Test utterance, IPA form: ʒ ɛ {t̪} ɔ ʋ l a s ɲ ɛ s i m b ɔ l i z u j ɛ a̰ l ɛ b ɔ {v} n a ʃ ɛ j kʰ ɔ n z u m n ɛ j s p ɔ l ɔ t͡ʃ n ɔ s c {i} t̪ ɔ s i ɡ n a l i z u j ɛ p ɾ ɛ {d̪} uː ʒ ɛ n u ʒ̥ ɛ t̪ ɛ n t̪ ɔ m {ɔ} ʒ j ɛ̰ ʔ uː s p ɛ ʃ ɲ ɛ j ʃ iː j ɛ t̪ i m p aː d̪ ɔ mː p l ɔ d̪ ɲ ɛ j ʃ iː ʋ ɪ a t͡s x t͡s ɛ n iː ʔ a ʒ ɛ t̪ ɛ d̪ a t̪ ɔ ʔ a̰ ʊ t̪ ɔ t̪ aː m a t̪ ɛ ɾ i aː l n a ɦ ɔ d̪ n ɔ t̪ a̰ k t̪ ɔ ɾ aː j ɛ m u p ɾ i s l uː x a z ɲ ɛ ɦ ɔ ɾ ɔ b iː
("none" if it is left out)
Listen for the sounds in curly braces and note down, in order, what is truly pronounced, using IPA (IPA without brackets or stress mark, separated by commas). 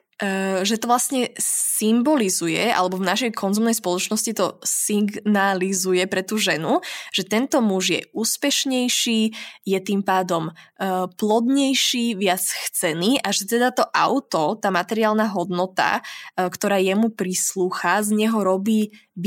t̪, v, i, t̪, u